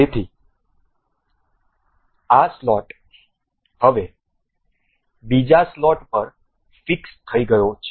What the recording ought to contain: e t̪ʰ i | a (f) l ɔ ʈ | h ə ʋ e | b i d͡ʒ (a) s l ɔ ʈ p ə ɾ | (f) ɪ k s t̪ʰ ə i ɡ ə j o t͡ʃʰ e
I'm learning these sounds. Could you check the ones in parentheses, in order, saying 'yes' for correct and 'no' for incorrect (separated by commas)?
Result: no, yes, yes